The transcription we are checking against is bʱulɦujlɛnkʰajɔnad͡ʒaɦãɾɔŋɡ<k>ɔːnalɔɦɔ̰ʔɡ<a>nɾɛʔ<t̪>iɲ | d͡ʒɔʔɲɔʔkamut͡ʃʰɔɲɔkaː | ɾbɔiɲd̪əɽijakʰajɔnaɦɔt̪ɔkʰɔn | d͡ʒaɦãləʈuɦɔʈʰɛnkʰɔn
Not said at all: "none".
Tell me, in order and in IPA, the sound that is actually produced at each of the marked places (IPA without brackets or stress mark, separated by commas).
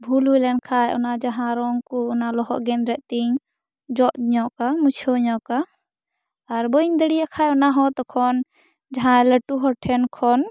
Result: k, ɛ, t̪